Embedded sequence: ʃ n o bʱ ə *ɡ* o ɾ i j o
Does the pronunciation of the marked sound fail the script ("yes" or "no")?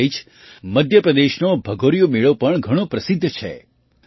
no